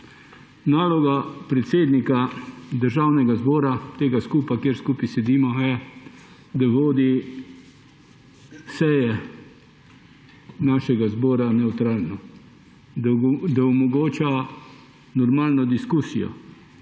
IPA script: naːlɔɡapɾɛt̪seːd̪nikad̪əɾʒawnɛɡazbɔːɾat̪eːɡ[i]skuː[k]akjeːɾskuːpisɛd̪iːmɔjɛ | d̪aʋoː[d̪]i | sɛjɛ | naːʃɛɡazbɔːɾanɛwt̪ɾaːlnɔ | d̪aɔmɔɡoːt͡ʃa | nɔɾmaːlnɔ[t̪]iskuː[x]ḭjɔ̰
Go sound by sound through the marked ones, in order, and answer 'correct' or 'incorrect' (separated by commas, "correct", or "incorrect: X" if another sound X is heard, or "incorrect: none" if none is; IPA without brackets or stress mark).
incorrect: a, incorrect: p, correct, incorrect: d̪, incorrect: s